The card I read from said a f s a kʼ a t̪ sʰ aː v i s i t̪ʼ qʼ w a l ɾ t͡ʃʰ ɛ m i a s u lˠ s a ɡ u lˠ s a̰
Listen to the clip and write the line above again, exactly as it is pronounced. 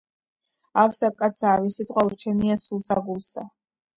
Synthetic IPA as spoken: a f s a kʼ a t̪ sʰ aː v i s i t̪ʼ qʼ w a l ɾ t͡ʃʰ ɛ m i a s u lˠ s a ɡ u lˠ s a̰